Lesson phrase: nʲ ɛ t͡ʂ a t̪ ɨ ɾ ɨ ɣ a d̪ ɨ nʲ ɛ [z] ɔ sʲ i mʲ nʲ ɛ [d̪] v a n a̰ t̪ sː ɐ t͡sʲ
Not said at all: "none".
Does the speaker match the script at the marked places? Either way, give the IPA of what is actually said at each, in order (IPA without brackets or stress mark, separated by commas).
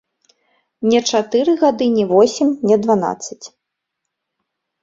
v, d̪